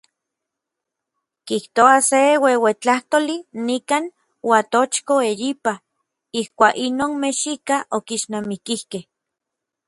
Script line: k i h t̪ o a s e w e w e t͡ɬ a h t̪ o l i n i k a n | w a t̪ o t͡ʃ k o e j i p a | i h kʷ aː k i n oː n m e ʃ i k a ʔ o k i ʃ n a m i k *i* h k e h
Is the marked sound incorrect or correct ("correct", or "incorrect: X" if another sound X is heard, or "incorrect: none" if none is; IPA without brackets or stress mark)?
correct